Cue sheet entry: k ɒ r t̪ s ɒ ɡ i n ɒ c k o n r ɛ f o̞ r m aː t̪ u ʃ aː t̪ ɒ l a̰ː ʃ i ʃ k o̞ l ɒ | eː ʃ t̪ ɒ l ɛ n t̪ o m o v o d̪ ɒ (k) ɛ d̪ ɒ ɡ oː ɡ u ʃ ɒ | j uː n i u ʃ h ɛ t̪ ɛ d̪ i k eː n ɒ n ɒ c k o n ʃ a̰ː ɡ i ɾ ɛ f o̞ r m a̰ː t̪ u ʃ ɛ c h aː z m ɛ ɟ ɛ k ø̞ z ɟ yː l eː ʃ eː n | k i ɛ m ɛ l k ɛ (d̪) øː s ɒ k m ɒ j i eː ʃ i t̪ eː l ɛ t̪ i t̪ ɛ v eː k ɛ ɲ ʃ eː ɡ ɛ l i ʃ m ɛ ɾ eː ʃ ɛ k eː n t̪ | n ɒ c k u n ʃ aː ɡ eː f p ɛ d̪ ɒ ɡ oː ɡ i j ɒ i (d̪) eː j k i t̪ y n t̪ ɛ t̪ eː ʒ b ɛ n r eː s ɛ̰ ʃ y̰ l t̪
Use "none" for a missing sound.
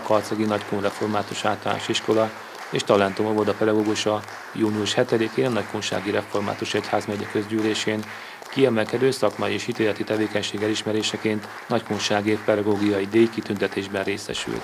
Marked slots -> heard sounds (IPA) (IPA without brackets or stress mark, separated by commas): p, d̪, d̪